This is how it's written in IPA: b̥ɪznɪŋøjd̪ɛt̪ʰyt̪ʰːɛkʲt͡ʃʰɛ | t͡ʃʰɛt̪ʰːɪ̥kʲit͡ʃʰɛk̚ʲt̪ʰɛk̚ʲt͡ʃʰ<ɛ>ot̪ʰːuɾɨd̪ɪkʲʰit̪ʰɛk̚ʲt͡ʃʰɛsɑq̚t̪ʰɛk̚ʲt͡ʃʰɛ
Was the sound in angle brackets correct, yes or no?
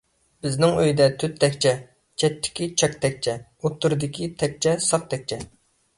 yes